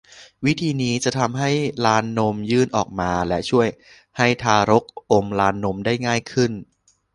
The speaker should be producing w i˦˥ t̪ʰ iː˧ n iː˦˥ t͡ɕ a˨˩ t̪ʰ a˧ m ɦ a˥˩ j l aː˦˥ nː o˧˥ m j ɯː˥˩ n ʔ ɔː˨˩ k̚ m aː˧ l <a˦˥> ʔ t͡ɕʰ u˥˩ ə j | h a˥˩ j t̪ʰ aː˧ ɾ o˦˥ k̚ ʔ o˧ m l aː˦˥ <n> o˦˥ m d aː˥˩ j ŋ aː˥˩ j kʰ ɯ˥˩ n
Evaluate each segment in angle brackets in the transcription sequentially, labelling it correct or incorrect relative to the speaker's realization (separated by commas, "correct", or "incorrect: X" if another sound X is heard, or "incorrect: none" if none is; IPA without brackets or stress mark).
incorrect: ɛ˦˥, incorrect: nː